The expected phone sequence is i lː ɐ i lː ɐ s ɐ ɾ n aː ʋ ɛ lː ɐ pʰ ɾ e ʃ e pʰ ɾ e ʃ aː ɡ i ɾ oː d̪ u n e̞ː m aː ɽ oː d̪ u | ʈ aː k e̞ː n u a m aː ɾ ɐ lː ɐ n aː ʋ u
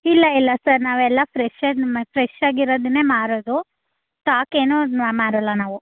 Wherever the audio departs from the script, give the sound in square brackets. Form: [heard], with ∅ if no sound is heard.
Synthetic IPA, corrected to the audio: i lː ɐ i lː ɐ s ɐ ɾ n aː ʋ ɛ lː ɐ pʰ ɾ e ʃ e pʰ ɾ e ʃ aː ɡ i ɾ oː d̪ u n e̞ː m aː [ɾ] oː d̪ u | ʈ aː k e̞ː n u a m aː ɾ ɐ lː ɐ n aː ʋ u